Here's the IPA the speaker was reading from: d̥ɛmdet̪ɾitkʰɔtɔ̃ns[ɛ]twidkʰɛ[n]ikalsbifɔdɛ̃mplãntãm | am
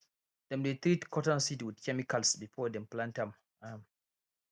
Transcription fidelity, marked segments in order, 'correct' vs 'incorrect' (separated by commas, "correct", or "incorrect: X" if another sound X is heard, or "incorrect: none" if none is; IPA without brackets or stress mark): incorrect: i, incorrect: m